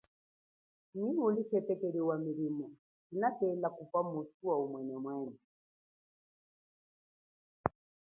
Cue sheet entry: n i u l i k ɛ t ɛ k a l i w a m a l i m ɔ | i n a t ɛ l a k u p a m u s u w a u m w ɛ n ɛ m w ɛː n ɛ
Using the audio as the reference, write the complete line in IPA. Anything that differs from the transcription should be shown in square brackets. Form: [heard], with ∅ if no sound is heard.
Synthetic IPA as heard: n i u l i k ɛ t ɛ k [ɛ] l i w a m [i] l i m ɔ | i n a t ɛ l a k u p a m u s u w a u m w ɛ n ɛ m w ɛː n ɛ